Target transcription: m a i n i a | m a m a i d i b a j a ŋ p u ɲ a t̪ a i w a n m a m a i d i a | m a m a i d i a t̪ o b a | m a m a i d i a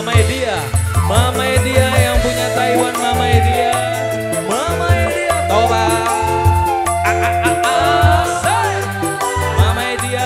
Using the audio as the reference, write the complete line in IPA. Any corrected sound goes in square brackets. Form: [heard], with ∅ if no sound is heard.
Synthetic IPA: m a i [d] i a | m a m a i d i [∅] a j a ŋ p u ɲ a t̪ a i w a n m a m a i d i a | m a m a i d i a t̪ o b a | m a m a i d i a